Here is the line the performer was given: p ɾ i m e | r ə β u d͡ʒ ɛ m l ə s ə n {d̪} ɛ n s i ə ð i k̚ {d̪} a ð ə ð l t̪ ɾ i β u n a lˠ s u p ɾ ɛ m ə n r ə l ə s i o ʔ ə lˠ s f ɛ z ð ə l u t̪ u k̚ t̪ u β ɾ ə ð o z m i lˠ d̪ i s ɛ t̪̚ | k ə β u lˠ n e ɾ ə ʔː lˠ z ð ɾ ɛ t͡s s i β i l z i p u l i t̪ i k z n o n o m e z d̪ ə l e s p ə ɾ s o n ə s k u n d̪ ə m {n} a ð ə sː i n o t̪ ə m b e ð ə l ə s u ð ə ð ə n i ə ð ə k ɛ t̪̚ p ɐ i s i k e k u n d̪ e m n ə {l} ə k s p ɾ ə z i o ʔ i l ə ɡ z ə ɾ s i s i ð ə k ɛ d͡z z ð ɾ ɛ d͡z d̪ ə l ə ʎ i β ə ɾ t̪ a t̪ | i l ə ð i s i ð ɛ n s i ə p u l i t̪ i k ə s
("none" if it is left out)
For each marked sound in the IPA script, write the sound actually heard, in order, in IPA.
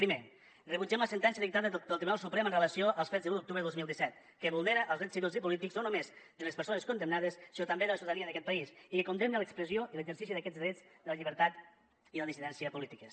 t̪, t̪, n, l

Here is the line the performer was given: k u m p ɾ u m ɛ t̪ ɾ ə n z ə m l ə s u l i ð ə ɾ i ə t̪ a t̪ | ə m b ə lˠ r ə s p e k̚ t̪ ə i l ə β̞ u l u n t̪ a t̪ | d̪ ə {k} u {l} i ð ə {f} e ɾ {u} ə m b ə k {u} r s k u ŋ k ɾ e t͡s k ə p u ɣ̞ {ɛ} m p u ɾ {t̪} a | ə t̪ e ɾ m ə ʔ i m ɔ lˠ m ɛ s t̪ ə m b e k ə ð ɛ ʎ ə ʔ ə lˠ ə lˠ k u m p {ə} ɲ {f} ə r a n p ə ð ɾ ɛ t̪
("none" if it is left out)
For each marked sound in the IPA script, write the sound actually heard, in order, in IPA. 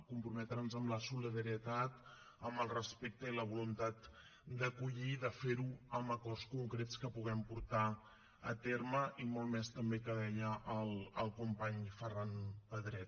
k, ʎ, f, u, ɔ, ɛ, t̪, a, f

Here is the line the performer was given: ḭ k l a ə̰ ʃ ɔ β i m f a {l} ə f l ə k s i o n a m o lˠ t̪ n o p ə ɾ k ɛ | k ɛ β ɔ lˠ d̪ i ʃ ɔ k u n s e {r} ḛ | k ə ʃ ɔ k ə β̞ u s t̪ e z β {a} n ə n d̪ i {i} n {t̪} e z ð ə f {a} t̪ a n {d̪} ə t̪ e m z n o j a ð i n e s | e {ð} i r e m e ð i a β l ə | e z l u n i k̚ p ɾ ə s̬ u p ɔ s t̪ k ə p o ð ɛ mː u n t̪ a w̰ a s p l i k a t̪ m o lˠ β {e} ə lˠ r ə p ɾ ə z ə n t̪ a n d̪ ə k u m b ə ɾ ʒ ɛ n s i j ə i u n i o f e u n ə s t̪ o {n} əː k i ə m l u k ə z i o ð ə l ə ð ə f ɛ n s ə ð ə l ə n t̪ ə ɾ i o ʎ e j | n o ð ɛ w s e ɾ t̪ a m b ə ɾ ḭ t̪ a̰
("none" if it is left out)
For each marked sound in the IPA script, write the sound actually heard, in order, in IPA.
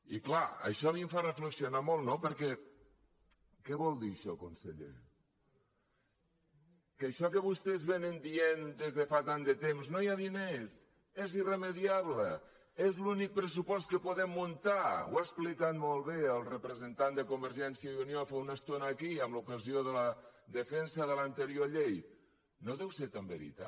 r, ʎ, e, e, d̪, a, d̪, z, e, n

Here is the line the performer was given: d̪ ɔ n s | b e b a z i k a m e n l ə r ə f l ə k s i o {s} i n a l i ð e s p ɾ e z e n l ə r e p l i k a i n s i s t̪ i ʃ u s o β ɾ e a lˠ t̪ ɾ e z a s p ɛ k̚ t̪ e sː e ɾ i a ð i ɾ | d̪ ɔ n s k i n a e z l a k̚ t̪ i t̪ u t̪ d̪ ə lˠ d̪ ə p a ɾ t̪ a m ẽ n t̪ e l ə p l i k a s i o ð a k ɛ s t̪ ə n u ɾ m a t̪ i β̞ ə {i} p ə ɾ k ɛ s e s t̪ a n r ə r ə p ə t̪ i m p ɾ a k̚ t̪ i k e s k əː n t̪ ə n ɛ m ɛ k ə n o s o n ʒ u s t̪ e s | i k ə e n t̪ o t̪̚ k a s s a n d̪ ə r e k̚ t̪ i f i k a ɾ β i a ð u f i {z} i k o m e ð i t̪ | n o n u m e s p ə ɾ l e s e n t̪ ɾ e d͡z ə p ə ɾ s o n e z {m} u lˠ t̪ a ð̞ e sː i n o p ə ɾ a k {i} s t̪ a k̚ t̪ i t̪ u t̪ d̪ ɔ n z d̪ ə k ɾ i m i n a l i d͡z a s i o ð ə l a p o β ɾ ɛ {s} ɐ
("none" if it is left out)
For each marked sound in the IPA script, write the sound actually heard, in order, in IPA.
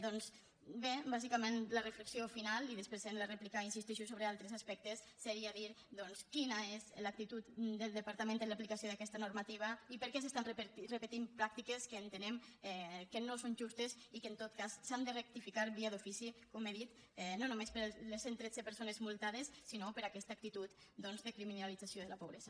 f, i, s, m, ɛ, z

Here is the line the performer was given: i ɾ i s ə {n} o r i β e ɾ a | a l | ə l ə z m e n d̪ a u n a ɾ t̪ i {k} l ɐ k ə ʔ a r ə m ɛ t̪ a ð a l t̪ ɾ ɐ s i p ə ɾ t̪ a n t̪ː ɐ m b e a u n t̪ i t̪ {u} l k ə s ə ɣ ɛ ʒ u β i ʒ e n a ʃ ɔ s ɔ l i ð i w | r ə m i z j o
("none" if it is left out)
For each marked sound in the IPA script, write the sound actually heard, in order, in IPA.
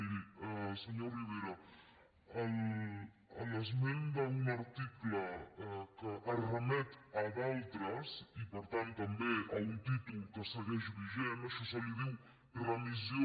ɲ, k, u

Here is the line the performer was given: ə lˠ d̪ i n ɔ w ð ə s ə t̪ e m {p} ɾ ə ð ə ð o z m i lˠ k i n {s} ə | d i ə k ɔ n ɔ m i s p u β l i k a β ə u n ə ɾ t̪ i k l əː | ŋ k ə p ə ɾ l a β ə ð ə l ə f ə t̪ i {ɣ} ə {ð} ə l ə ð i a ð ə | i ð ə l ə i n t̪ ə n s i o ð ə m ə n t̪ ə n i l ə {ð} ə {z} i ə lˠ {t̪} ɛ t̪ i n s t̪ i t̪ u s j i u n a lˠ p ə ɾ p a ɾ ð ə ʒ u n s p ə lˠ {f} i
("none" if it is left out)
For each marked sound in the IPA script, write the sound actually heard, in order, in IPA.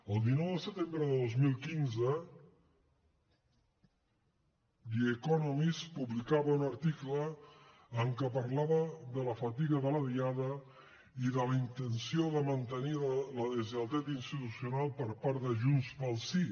b, z, ɣ, ð, ð, z, t̪, s

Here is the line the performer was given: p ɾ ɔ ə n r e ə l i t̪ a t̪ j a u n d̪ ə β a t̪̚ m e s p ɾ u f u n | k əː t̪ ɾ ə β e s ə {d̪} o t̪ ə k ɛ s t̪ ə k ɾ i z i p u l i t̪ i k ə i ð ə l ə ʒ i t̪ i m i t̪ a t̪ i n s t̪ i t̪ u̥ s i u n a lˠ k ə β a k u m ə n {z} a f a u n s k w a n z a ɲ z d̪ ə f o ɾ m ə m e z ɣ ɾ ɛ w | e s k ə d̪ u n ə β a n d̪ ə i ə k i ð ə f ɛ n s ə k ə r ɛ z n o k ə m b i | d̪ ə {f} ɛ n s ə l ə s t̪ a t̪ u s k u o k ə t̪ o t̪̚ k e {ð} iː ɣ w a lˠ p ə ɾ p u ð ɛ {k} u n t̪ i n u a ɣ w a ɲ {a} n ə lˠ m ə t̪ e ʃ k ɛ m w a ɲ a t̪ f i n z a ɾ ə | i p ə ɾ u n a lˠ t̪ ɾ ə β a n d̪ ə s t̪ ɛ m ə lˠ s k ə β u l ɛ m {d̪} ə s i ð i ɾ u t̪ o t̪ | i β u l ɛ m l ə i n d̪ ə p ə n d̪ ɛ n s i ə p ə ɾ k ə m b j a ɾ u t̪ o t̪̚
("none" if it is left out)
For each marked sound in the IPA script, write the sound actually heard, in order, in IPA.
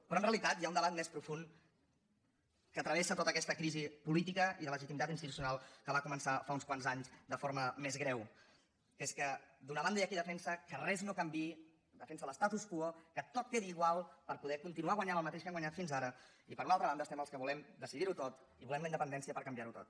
t̪, s, f, ð, k, a, d̪

